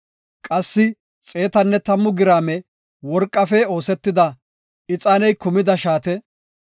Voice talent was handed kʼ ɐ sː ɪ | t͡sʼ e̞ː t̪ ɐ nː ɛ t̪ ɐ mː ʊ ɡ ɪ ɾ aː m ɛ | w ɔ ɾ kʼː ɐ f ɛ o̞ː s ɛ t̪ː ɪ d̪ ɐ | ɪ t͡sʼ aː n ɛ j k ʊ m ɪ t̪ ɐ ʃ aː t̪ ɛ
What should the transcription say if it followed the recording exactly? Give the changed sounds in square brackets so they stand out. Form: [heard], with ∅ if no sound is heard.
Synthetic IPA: kʼ ɐ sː ɪ | t͡sʼ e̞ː t̪ ɐ nː ɛ t̪ ɐ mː ʊ ɡ ɪ ɾ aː m ɛ | w ɔ ɾ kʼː ɐ f ɛ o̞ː s ɛ t̪ː ɪ d̪ ɐ | ɪ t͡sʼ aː n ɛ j k ʊ m ɪ [d̪] ɐ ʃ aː t̪ ɛ